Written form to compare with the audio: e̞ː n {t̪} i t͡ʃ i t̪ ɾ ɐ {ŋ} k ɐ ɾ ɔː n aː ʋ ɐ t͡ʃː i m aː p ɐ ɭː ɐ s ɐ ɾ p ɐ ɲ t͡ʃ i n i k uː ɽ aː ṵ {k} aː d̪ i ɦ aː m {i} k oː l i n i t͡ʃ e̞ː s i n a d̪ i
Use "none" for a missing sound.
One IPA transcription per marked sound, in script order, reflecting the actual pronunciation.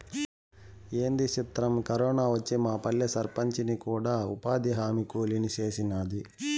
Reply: d̪, m, p, i

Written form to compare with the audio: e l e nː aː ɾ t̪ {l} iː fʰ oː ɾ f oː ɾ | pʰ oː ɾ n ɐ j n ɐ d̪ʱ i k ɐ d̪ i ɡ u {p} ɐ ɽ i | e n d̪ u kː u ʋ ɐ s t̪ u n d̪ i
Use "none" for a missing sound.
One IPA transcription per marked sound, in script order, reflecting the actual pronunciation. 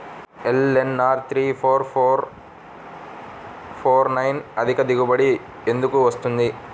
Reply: ɾ, b

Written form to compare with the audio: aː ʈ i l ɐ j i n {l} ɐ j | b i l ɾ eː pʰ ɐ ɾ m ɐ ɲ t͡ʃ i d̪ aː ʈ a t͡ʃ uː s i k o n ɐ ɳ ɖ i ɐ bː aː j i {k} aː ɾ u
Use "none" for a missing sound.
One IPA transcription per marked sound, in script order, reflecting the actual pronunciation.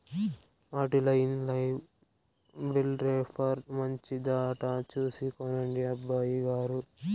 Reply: l, ɡ

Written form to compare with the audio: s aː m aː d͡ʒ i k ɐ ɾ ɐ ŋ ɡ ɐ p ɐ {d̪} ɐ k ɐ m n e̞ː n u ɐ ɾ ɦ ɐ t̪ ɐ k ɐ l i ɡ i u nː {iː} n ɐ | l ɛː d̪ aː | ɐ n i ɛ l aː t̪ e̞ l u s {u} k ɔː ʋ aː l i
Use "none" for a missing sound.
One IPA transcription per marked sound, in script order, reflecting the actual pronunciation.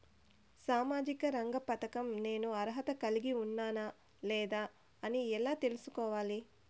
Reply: t̪, aː, u

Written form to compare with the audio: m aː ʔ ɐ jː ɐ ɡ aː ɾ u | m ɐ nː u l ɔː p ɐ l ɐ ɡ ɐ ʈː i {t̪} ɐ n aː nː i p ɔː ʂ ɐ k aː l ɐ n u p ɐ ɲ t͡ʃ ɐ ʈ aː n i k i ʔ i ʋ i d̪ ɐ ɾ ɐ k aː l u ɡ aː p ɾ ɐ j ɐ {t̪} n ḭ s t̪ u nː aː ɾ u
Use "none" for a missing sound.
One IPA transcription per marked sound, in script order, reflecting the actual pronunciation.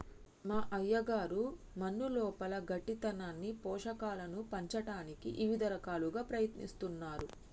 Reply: t̪, t̪

